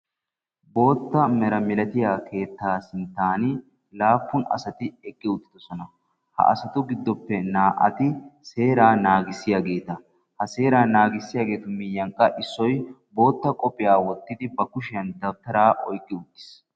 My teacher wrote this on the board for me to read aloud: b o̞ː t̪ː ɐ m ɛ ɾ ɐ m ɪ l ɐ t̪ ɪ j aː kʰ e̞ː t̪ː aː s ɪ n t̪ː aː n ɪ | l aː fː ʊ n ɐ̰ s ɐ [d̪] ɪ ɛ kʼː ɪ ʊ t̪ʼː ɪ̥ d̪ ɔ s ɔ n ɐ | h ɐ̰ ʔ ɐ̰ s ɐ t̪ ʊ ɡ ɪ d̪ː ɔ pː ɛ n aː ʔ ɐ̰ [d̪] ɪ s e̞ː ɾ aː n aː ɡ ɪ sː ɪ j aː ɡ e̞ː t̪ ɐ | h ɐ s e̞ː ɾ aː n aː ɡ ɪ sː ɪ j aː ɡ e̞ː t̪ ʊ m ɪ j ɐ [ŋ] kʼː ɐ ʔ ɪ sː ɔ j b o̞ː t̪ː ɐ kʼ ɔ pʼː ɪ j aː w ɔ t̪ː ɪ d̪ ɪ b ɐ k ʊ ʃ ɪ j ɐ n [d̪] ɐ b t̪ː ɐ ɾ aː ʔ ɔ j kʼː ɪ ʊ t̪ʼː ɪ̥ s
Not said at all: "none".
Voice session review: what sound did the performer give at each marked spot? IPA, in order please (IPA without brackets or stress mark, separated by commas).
t̪, t̪, ŋ, d̪